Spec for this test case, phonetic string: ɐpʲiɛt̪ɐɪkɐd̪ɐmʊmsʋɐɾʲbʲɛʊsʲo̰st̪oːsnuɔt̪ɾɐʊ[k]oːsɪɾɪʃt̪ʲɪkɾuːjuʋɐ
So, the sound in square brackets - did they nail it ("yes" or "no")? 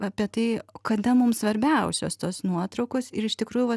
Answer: yes